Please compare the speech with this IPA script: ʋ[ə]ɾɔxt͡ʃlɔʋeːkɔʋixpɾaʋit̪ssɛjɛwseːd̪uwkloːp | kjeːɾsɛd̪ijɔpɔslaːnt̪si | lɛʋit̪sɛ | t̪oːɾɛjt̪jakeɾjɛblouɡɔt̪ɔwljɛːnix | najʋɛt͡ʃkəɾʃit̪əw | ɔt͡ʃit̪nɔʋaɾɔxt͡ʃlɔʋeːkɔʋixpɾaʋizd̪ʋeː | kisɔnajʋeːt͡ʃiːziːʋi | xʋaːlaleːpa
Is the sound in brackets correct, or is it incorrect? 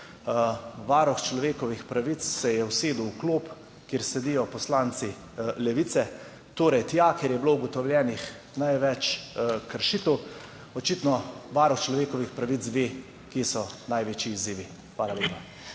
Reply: incorrect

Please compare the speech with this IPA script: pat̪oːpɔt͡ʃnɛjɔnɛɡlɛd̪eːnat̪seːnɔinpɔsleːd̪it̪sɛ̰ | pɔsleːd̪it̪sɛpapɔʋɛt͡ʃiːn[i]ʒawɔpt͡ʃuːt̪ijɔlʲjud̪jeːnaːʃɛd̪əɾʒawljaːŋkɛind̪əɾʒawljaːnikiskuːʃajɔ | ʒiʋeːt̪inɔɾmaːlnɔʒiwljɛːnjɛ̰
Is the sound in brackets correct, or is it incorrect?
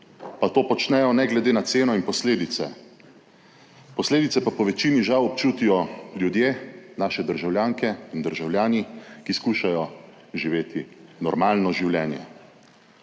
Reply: correct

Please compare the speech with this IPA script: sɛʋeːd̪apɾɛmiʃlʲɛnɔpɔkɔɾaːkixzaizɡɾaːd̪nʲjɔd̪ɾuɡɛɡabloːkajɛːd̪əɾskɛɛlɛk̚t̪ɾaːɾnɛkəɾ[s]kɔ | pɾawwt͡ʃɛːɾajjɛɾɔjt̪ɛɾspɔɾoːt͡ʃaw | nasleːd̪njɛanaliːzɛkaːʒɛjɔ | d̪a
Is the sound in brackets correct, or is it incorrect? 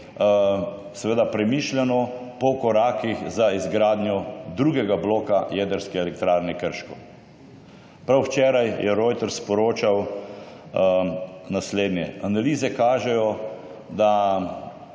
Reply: incorrect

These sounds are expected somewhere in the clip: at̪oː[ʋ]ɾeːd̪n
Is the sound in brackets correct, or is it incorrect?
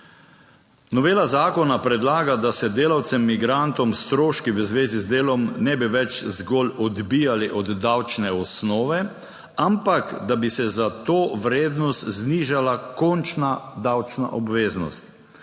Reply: correct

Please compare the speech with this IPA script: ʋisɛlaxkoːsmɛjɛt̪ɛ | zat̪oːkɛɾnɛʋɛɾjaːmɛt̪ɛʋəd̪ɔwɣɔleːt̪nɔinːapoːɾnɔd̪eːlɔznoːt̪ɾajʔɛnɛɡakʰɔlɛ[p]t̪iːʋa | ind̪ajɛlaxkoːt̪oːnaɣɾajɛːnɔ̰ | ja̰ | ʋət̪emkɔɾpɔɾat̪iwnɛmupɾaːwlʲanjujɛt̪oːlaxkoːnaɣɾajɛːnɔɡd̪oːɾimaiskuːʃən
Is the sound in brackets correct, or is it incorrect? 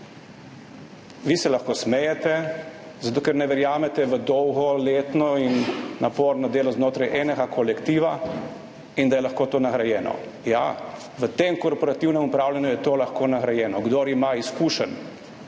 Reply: incorrect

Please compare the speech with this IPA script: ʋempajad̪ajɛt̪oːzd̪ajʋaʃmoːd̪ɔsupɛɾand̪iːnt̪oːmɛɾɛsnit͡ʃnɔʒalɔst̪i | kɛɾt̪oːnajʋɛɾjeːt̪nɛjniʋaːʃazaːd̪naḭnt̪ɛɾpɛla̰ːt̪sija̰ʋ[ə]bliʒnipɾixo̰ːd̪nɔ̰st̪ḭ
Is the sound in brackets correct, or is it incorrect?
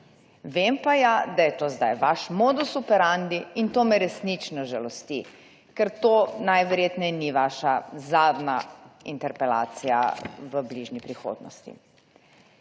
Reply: correct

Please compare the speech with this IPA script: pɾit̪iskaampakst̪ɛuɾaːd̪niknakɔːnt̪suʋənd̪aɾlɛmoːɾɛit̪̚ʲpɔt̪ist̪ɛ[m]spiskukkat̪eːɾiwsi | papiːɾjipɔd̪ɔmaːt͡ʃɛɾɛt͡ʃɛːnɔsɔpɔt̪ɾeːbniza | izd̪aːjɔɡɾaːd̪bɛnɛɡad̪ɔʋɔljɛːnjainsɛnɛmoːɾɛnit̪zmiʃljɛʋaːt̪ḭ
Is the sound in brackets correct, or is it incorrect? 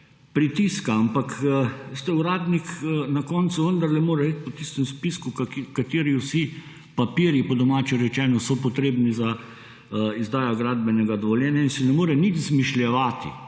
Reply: correct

